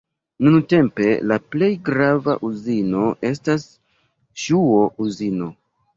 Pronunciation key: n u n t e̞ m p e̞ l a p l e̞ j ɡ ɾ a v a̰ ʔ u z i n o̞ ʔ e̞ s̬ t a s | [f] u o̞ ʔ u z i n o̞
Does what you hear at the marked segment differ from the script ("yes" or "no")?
yes